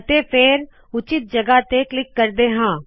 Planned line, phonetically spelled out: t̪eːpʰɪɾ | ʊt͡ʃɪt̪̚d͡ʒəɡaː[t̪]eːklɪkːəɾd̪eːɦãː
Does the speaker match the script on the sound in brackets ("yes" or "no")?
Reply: yes